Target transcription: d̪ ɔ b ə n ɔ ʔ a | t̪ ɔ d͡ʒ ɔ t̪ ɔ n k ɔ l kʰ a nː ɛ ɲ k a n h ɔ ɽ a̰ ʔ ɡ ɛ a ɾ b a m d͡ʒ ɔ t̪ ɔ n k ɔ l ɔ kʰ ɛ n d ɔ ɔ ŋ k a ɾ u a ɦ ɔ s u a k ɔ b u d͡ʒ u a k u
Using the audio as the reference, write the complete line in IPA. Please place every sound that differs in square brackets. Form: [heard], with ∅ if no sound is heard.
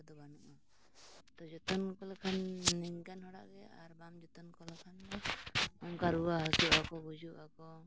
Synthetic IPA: d̪ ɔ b [a] n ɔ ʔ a | t̪ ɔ d͡ʒ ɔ t̪ ɔ n k ɔ l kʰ a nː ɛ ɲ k a n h ɔ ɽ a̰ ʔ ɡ ɛ a ɾ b a m d͡ʒ ɔ t̪ ɔ n k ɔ l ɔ kʰ [a] n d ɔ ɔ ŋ k a ɾ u a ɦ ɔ s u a k ɔ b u d͡ʒ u a k [ɔ]

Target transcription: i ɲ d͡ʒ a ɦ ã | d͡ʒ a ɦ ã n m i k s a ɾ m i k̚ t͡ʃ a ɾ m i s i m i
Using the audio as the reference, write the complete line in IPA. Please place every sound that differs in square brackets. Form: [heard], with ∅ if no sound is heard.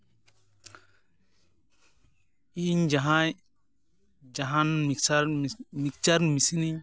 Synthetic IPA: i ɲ d͡ʒ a ɦ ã | d͡ʒ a ɦ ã n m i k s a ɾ m i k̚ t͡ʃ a ɾ m i s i [n] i

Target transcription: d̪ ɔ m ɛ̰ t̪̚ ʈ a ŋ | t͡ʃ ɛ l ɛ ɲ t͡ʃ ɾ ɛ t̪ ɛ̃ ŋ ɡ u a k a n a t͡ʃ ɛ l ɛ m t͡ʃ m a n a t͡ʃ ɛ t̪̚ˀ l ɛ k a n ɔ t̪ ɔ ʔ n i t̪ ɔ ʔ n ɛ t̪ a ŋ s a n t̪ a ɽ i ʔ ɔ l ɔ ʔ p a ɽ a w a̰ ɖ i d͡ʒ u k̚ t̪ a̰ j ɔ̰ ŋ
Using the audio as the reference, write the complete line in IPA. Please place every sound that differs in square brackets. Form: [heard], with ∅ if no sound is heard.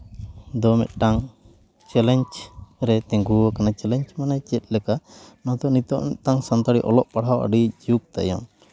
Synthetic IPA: d̪ ɔ m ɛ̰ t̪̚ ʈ a ŋ | t͡ʃ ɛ l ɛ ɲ t͡ʃ ɾ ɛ t̪ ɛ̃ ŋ ɡ u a k a n a t͡ʃ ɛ l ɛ [ɲ] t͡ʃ m a n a t͡ʃ ɛ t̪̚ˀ l ɛ k a n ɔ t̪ ɔ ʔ n i t̪ ɔ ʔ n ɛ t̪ a ŋ s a n t̪ a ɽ i ʔ ɔ l ɔ ʔ p a ɽ a w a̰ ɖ i d͡ʒ u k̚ t̪ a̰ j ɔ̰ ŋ

